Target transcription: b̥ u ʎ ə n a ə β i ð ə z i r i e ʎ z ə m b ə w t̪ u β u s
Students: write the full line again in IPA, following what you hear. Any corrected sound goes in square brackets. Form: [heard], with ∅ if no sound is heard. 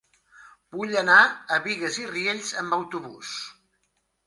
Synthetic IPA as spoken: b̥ u ʎ ə n a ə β i [ɣ] ə z i r i e ʎ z ə m b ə w t̪ u β u s